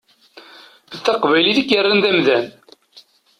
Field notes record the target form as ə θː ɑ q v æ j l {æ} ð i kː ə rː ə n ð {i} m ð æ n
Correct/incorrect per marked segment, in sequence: incorrect: i, incorrect: æ

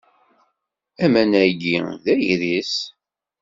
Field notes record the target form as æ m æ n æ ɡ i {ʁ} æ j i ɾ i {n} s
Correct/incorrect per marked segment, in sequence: incorrect: ð, incorrect: none

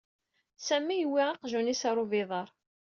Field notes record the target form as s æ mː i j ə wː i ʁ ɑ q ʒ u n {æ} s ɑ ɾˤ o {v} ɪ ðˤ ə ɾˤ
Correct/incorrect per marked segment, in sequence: incorrect: i, correct

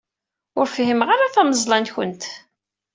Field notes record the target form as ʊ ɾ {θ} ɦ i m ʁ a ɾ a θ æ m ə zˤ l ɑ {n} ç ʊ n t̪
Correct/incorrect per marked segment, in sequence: incorrect: f, correct

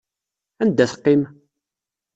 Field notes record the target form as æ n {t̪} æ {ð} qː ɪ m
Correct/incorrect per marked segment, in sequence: incorrect: d̪, incorrect: θ

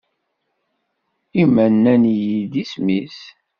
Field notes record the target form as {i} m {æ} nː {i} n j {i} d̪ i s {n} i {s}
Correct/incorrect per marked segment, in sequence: correct, correct, incorrect: æ, correct, incorrect: m, correct

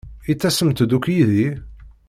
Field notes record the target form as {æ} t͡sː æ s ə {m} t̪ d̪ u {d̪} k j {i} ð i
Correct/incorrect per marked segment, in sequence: incorrect: i, correct, incorrect: none, correct

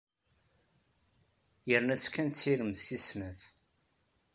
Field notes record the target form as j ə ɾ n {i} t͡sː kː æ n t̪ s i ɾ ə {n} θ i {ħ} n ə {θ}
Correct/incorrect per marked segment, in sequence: incorrect: æ, incorrect: m, incorrect: s, correct

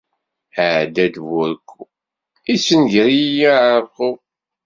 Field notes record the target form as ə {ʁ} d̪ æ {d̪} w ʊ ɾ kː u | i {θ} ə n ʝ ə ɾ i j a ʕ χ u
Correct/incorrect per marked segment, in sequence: incorrect: ʕ, correct, incorrect: s

